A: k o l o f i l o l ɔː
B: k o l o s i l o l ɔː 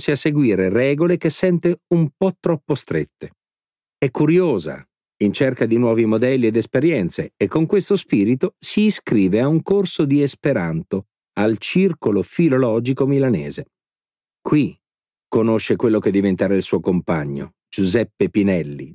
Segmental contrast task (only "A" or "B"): A